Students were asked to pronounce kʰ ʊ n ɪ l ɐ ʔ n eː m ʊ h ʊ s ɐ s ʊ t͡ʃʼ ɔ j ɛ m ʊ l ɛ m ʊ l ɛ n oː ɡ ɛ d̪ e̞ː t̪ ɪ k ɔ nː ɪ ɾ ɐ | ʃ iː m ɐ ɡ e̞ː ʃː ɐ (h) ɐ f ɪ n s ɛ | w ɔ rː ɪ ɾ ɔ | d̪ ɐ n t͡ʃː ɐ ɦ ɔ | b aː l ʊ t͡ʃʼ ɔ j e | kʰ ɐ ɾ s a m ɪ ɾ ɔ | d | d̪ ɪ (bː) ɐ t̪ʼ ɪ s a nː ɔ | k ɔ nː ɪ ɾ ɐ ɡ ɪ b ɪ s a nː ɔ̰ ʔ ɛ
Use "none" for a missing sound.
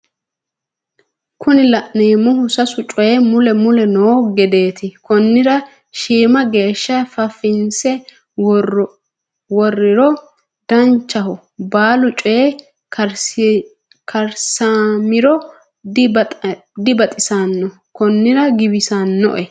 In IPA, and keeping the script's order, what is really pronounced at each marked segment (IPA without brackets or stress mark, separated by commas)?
f, b